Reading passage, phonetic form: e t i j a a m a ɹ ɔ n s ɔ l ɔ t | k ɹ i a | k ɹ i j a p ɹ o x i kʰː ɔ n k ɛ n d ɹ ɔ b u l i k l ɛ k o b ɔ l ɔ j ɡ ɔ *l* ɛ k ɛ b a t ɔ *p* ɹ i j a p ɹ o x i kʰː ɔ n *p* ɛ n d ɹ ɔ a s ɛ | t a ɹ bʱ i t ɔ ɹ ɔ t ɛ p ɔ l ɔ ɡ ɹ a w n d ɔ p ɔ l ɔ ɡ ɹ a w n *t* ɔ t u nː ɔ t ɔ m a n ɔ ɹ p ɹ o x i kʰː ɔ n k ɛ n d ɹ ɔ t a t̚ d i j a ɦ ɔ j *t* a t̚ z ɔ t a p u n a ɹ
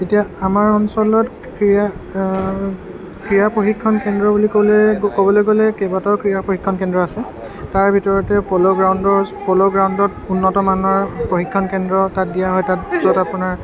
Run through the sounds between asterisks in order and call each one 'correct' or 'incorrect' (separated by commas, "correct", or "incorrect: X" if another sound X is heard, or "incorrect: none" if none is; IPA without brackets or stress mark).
correct, incorrect: k, incorrect: k, incorrect: d, correct